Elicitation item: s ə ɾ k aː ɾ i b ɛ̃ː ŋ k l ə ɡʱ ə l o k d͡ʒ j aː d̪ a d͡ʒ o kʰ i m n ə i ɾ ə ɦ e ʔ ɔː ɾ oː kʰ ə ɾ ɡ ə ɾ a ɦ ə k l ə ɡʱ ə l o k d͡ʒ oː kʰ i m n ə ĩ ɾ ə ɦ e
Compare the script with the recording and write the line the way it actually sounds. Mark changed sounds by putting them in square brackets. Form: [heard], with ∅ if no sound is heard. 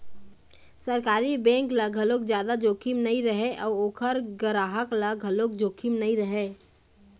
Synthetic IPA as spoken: s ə ɾ k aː ɾ i b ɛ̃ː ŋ k l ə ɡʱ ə l o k d͡ʒ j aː d̪ a d͡ʒ o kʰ i m n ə i ɾ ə ɦ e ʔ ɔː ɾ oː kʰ ə ɾ ɡ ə ɾ a ɦ ə k l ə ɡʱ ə l o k d͡ʒ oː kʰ i m n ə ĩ ɾ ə ɦ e

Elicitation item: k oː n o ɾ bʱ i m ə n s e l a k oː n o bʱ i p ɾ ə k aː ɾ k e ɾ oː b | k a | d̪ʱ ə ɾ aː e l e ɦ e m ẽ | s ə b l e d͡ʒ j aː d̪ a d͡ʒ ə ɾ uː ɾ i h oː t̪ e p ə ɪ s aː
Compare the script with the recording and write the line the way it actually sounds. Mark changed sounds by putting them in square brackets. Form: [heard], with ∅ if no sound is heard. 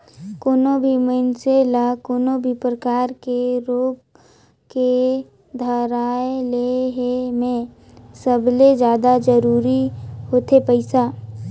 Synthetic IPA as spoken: k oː n o [∅] bʱ i m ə n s e l a k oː n o bʱ i p ɾ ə k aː ɾ k e ɾ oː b | k [e] | d̪ʱ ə ɾ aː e l e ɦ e m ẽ | s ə b l e d͡ʒ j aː d̪ a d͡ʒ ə ɾ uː ɾ i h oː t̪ e p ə ɪ s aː

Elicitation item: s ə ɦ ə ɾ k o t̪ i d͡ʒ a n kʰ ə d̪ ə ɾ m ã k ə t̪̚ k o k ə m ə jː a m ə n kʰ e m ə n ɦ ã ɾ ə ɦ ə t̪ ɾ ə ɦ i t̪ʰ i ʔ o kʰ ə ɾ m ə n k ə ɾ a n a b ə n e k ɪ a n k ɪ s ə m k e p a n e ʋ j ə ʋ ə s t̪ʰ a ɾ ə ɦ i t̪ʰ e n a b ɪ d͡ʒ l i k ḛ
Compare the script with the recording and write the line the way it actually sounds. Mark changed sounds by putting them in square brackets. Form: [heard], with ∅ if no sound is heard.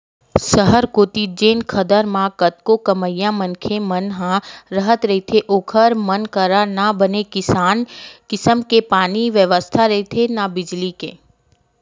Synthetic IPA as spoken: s ə ɦ ə ɾ k o t̪ i d͡ʒ [e] n kʰ ə d̪ ə ɾ m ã k ə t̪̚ k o k ə m ə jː a m ə n kʰ e m ə n ɦ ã ɾ ə ɦ ə t̪ ɾ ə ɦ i t̪ʰ [e] ʔ o kʰ ə ɾ m ə n k ə ɾ a n a b ə n e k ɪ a n k ɪ s ə m k e p a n [i] ʋ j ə ʋ ə s t̪ʰ a ɾ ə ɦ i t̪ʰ e n a b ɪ d͡ʒ l i k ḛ

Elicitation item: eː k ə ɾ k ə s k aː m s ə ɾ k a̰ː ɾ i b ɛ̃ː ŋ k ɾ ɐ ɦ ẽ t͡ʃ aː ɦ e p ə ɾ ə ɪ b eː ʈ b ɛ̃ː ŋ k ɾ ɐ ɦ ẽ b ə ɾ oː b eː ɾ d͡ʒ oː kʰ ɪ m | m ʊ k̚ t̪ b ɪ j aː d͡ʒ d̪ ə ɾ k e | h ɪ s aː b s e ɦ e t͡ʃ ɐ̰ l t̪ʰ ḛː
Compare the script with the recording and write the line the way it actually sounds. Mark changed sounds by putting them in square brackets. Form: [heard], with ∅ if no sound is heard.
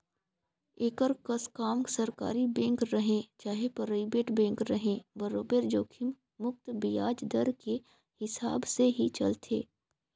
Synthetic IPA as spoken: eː k ə ɾ k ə s k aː m s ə ɾ k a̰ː ɾ i b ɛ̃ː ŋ k ɾ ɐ ɦ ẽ t͡ʃ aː ɦ e p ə ɾ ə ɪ b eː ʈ b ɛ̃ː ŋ k ɾ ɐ ɦ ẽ b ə ɾ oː b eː ɾ d͡ʒ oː kʰ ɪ m | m ʊ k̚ t̪ b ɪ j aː d͡ʒ d̪ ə ɾ k e | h ɪ s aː b s e ɦ [i] t͡ʃ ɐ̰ l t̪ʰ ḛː

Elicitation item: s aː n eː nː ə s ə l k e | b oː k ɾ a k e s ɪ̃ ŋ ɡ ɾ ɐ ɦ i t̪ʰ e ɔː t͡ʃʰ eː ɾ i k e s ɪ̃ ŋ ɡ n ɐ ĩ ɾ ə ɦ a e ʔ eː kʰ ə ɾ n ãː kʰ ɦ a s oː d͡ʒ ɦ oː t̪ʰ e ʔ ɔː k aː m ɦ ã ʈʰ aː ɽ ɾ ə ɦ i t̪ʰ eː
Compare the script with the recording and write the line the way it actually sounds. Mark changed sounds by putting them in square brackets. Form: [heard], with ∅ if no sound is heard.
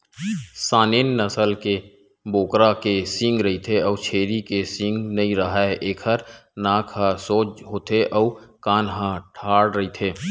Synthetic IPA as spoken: s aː n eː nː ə s ə l k e | b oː k ɾ a k e s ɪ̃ ŋ ɡ ɾ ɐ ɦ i t̪ʰ e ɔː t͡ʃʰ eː ɾ i k e s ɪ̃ ŋ ɡ n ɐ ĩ ɾ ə ɦ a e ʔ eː kʰ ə ɾ n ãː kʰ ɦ a s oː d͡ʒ ɦ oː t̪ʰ e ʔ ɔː k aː [n] ɦ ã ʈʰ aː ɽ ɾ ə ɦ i t̪ʰ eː

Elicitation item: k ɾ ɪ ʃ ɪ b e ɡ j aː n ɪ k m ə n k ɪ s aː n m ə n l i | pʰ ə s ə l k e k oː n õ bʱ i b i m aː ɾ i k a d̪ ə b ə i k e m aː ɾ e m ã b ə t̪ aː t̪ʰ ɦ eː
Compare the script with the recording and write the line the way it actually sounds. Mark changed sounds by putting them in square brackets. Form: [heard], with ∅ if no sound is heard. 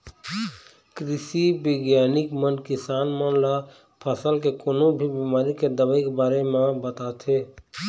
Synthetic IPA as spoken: k ɾ ɪ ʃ [i] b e ɡ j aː n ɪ k m ə n k ɪ s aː n m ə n l [a] | pʰ ə s ə l k e k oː n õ bʱ i b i m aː ɾ i k [e] d̪ ə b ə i k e [b] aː ɾ e m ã b ə t̪ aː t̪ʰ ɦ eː

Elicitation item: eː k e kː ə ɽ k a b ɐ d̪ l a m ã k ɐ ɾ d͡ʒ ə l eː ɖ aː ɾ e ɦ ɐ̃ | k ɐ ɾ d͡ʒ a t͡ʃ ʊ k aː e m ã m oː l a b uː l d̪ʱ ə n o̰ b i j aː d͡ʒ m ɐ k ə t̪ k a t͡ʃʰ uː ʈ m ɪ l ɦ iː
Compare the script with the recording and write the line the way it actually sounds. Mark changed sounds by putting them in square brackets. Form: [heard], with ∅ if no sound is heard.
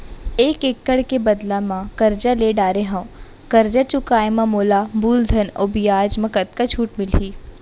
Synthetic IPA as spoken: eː k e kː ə ɽ k [e] b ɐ d̪ l a m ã k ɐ ɾ d͡ʒ [a] l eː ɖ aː ɾ e ɦ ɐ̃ | k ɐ ɾ d͡ʒ a t͡ʃ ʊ k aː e m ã m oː l a b uː l d̪ʱ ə n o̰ b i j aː d͡ʒ m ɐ k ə t̪ k a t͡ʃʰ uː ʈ m ɪ l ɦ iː

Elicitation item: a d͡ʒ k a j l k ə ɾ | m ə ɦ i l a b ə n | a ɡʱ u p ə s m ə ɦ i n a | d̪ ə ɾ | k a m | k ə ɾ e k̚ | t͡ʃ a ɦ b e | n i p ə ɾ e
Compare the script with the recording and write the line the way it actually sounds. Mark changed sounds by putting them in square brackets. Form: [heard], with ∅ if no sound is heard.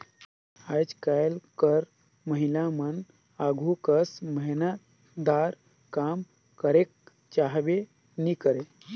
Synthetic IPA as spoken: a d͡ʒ k a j l k ə ɾ | m ə ɦ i l a [m] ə n | a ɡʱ u [k] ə s m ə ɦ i n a | d̪ [a] ɾ | k a m | k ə ɾ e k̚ | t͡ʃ a ɦ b e | n i [k] ə ɾ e

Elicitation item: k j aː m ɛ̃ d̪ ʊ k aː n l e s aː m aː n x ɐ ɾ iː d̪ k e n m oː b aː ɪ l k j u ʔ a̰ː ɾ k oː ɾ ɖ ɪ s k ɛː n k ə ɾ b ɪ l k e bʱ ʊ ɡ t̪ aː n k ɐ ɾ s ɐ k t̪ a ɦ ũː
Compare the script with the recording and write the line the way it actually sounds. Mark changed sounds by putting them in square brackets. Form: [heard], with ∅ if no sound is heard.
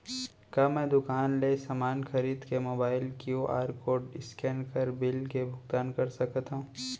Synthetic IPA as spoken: k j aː m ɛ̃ d̪ ʊ k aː n l e s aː m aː n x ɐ ɾ iː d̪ k e [∅] m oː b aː ɪ l k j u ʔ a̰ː ɾ k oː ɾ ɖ ɪ s k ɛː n k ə ɾ b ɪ l k e bʱ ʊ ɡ t̪ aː n k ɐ ɾ s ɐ k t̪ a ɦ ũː

